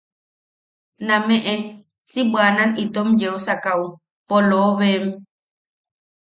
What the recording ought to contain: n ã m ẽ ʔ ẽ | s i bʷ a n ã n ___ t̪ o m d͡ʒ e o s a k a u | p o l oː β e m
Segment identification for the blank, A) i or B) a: A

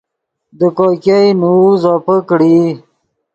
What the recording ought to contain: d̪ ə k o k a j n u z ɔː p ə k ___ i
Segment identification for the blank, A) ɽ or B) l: A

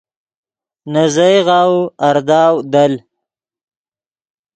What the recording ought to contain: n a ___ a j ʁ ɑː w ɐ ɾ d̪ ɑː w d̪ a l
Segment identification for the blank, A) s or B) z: B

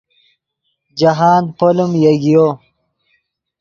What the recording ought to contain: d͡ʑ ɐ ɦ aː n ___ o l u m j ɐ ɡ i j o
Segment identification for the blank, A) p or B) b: A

